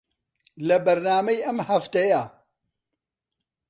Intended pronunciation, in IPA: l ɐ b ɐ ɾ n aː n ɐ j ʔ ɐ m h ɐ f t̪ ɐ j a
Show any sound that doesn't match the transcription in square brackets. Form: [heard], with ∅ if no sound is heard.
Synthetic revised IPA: l ɐ b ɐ ɾ n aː [m] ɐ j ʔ ɐ m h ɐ f t̪ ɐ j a